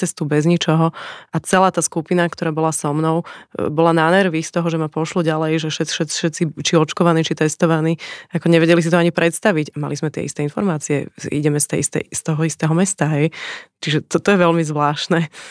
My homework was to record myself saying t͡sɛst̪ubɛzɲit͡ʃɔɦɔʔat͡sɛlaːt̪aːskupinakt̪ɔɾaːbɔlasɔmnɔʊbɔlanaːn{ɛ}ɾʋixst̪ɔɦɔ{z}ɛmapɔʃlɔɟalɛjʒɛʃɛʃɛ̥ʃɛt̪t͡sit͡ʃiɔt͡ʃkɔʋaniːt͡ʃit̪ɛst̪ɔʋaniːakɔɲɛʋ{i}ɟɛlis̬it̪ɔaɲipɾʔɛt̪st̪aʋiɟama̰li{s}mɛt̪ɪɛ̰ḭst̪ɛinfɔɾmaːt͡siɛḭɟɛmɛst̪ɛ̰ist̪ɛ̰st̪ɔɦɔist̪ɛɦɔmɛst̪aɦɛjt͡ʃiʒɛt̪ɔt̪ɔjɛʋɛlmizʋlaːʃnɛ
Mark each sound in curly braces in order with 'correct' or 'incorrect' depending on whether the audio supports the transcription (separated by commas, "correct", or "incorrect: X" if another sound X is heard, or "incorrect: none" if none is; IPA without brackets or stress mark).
correct, incorrect: ʒ, incorrect: ɛ, incorrect: z